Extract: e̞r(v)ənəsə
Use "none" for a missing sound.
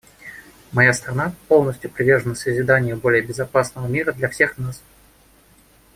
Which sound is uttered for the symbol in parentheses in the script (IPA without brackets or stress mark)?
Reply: ʐ